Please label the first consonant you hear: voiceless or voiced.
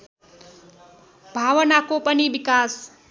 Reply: voiced